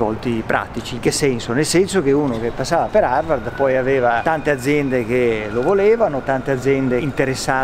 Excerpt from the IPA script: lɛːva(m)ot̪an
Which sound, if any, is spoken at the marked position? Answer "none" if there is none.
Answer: n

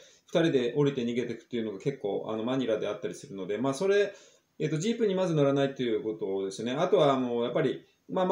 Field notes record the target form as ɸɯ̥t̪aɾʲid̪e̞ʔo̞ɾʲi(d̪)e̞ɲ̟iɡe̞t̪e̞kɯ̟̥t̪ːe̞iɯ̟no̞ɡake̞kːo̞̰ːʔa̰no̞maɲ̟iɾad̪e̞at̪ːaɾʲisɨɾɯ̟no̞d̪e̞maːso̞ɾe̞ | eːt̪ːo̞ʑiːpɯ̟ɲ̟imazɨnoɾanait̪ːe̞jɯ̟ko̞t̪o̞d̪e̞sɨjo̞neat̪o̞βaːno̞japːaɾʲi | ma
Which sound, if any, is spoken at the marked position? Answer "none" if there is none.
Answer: t̪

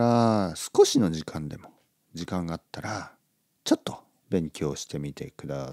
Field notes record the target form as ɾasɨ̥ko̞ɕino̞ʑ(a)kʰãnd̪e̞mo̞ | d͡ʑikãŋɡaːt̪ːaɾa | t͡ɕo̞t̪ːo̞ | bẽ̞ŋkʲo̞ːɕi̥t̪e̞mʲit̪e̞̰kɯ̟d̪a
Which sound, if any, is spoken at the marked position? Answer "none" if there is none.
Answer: i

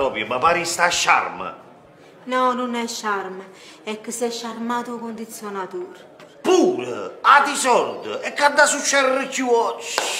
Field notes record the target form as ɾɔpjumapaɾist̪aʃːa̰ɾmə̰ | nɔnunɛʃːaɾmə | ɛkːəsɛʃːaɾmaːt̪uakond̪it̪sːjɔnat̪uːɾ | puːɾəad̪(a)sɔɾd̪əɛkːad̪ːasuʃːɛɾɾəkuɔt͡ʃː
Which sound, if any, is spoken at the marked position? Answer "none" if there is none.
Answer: i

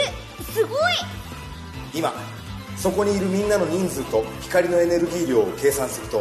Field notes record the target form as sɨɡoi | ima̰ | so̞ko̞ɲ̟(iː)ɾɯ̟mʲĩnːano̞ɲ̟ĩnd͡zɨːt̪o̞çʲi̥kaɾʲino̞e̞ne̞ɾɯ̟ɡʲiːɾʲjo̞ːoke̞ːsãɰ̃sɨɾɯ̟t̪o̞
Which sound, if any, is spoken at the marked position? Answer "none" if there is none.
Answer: iː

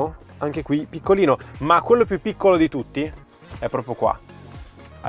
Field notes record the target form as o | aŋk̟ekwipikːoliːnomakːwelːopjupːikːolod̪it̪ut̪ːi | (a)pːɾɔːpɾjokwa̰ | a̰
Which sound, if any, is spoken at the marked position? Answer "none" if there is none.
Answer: ɛ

